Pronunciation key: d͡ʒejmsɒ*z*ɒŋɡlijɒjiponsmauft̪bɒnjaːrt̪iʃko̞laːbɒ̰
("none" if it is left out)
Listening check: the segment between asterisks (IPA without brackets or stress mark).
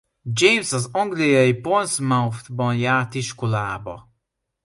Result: z